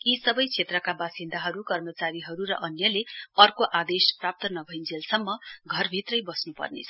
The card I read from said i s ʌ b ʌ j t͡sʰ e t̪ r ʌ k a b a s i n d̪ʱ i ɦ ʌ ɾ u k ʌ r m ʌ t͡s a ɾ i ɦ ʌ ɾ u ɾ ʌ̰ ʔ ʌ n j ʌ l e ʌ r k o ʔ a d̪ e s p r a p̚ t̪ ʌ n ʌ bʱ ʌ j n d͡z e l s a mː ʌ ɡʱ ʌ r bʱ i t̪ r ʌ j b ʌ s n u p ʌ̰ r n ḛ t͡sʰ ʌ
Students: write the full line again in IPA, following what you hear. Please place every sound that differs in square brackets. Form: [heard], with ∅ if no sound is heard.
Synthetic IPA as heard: i s ʌ b ʌ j t͡sʰ e t̪ r ʌ k a b a s i n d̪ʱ [a] ɦ ʌ ɾ u k ʌ r m ʌ t͡s a ɾ i ɦ ʌ ɾ u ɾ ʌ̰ ʔ ʌ n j ʌ l e ʌ r k o ʔ a d̪ e s p r a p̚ t̪ ʌ n ʌ bʱ ʌ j n d͡z e l s [ʌ] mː ʌ ɡʱ ʌ r bʱ i t̪ r ʌ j b ʌ s n u p ʌ̰ r n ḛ t͡sʰ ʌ

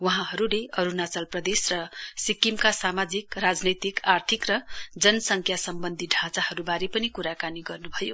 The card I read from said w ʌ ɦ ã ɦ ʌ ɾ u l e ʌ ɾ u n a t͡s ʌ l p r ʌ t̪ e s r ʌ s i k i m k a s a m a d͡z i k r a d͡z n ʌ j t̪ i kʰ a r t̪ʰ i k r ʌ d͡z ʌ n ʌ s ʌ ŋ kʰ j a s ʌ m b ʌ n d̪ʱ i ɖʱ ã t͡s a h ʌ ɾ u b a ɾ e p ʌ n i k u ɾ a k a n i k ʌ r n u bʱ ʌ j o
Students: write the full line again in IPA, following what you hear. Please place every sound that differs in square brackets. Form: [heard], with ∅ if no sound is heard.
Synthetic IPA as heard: w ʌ ɦ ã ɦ ʌ ɾ u l e ʌ ɾ u n a t͡s ʌ l p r ʌ [d̪] e s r ʌ s i k i m k a s a m a d͡z i k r a d͡z n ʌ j t̪ i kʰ a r t̪ʰ i k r ʌ d͡z ʌ n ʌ s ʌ ŋ kʰ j a s ʌ m b ʌ n d̪ʱ i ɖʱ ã t͡s a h ʌ ɾ u b a ɾ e p ʌ n i k u ɾ a k a n i [ɡ] ʌ r n u bʱ ʌ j o

